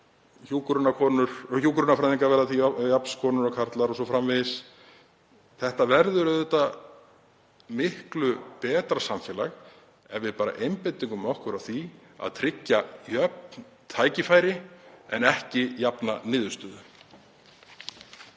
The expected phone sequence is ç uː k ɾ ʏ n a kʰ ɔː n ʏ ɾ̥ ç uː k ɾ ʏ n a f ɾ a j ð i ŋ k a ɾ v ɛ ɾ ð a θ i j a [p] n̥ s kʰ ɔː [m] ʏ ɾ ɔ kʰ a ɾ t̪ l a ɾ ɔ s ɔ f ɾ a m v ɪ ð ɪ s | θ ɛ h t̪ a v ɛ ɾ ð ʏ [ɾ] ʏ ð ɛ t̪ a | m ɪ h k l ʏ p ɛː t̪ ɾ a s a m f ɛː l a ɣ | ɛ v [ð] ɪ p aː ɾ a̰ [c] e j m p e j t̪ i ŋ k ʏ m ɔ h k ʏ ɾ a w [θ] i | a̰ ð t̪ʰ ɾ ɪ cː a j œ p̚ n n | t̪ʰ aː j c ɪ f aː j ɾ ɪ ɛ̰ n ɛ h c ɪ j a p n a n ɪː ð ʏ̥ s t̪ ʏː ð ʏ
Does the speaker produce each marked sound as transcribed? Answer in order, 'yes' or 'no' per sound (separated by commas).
yes, no, yes, no, no, yes